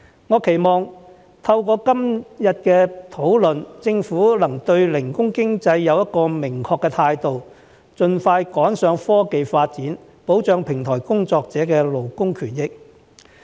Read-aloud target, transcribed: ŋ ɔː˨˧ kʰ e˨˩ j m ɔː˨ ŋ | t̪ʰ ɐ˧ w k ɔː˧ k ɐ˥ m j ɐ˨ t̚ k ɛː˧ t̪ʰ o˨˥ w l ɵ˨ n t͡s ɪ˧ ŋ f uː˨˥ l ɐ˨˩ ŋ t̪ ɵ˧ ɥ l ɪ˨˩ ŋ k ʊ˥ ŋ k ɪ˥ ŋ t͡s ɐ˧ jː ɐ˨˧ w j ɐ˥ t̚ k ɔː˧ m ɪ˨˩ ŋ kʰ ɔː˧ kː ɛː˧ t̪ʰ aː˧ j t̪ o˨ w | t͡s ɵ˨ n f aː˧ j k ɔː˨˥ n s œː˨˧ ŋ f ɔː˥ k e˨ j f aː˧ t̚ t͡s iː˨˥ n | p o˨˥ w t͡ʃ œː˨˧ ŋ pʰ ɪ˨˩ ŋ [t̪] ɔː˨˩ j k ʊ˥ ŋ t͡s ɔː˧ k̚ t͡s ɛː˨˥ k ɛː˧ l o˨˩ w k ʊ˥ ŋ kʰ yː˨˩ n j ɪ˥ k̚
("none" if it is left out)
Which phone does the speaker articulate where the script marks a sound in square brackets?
t̪ʰ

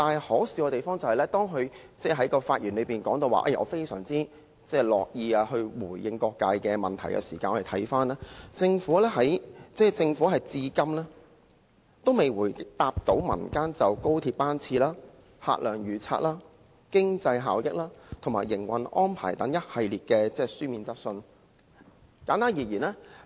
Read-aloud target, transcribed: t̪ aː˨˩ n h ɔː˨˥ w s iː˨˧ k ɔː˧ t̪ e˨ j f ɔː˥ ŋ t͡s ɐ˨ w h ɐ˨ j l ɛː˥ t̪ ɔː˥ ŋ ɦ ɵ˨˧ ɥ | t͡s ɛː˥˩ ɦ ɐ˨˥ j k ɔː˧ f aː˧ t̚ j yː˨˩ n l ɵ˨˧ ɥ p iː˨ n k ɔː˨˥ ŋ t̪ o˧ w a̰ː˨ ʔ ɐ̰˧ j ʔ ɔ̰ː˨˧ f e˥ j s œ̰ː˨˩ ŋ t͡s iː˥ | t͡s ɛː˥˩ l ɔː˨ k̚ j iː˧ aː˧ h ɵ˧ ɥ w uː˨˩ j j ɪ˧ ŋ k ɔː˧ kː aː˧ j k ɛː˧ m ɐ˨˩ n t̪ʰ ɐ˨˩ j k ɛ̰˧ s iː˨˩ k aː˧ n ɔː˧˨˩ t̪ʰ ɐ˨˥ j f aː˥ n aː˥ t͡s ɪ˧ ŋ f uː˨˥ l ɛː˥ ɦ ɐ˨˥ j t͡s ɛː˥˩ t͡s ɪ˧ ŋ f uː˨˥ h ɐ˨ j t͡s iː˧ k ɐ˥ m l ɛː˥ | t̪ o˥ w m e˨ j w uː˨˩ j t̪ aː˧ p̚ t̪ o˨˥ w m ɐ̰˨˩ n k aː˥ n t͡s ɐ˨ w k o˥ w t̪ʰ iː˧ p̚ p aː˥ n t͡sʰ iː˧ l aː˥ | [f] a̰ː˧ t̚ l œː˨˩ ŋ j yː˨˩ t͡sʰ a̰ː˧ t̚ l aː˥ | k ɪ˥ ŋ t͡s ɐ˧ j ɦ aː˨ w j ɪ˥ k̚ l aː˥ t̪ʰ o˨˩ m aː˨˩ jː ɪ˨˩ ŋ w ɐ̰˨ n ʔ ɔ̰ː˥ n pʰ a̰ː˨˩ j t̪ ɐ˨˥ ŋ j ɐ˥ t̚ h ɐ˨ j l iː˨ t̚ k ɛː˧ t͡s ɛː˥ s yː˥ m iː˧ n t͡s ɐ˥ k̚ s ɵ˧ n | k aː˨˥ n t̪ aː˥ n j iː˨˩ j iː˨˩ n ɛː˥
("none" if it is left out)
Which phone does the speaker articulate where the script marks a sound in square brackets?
h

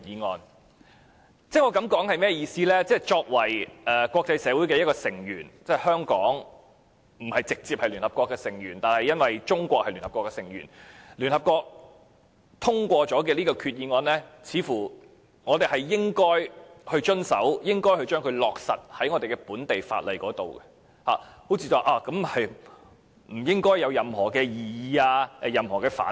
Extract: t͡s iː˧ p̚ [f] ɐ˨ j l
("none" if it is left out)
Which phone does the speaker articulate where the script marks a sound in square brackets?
h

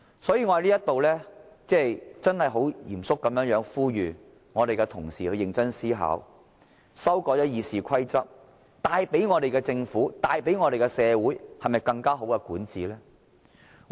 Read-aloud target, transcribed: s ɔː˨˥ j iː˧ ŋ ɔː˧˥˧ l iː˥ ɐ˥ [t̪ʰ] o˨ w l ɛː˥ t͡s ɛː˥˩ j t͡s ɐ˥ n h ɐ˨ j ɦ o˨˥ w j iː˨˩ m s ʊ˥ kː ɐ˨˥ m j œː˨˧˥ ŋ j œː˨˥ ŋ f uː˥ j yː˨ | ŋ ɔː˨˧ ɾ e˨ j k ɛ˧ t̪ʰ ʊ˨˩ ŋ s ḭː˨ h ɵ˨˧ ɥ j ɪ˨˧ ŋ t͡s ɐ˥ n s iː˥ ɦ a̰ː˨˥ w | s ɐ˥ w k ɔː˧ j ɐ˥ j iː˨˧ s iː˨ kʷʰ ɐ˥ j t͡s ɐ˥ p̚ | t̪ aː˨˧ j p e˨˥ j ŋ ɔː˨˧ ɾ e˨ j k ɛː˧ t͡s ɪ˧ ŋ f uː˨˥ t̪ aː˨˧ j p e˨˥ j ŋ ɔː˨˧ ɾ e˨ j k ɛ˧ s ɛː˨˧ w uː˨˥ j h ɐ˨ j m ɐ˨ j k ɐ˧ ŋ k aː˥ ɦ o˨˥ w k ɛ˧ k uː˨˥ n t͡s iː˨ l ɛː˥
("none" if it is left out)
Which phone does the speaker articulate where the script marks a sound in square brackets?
t̪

